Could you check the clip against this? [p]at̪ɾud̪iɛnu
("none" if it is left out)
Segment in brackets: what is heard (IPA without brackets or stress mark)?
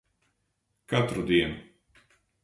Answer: k